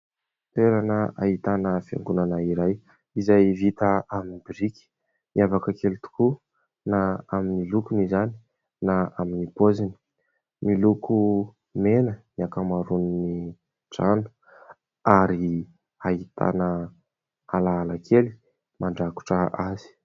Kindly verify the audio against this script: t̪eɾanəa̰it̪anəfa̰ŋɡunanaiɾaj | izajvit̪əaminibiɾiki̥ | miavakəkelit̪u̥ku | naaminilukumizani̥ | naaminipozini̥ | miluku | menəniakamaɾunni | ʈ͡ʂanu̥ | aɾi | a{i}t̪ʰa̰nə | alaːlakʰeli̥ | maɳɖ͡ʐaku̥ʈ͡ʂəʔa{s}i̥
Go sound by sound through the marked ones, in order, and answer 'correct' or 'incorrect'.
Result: correct, incorrect: z

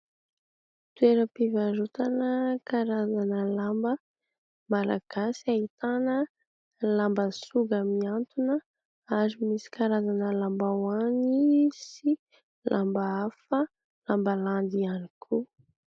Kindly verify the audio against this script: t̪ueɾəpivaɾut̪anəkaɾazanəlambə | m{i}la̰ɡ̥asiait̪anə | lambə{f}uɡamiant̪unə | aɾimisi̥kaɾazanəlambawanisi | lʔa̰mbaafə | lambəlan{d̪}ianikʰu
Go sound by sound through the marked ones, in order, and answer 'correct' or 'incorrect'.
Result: incorrect: a, incorrect: s, correct

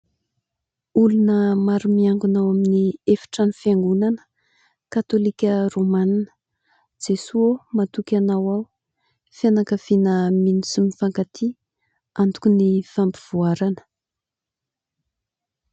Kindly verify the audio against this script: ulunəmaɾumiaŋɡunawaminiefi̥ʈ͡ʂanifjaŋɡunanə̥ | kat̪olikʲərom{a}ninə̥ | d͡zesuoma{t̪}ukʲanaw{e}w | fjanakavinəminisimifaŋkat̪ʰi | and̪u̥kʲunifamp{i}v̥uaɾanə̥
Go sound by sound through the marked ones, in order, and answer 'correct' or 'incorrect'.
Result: correct, correct, incorrect: a, correct

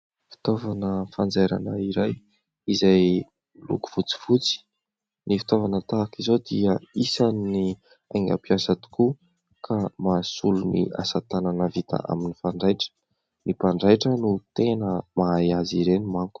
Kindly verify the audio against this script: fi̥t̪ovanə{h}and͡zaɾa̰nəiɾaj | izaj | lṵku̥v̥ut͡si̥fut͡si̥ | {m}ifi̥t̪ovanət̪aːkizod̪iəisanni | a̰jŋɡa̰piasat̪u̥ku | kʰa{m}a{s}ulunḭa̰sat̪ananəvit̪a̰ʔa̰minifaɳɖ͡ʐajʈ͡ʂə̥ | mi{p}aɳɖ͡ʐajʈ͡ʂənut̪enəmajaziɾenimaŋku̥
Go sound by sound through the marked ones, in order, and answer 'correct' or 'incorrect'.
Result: incorrect: f, incorrect: n, correct, correct, correct

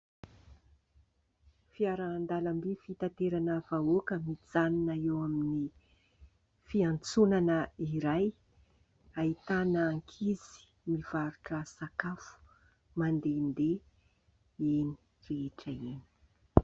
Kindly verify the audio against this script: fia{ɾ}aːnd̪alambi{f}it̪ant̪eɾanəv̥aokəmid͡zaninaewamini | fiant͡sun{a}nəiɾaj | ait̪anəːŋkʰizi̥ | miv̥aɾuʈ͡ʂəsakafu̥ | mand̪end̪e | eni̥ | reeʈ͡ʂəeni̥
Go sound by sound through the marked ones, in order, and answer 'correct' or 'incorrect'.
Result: correct, correct, correct

